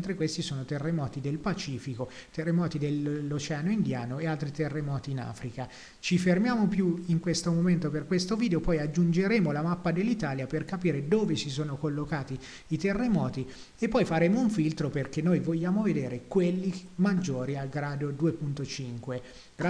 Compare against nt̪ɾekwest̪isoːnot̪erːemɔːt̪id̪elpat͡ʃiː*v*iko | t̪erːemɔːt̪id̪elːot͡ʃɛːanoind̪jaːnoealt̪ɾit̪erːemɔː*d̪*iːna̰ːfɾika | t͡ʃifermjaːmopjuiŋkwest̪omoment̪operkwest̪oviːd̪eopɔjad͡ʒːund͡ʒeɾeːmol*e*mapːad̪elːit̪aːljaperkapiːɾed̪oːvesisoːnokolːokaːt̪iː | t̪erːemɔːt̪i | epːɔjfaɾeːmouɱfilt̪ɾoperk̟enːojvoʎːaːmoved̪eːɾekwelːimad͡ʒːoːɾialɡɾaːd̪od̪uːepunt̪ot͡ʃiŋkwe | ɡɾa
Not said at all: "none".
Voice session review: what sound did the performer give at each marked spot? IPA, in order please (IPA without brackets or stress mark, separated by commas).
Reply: f, t̪, a